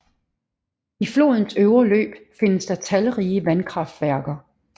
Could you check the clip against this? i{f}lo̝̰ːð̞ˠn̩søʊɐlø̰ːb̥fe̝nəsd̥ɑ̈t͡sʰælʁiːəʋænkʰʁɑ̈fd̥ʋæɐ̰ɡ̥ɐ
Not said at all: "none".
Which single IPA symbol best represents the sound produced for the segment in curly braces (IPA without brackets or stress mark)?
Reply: f